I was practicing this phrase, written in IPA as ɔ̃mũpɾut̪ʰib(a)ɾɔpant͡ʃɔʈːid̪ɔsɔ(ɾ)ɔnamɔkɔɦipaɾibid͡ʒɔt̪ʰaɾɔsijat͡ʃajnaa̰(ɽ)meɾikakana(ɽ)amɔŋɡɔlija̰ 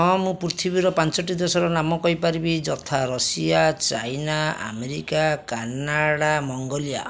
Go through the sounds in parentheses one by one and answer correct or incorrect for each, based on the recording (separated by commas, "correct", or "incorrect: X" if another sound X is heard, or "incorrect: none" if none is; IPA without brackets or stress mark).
incorrect: i, correct, incorrect: none, correct